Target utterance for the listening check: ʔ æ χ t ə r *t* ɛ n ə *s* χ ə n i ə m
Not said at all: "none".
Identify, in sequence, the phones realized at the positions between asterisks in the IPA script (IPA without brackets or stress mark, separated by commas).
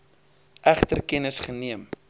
k, s